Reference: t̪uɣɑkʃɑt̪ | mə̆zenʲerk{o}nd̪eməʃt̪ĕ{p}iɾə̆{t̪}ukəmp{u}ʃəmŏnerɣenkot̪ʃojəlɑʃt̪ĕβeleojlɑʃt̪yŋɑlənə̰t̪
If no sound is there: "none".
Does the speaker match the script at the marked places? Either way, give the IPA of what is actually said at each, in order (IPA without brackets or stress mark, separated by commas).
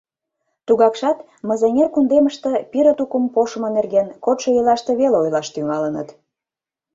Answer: u, p, t̪, o